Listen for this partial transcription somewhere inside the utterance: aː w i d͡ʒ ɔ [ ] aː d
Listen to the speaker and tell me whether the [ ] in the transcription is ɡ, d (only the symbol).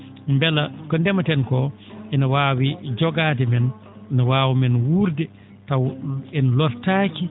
ɡ